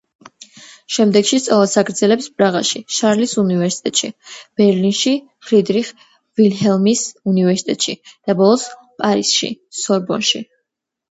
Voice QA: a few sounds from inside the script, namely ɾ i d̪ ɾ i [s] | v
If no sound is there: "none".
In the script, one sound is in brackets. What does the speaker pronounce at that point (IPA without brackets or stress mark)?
χ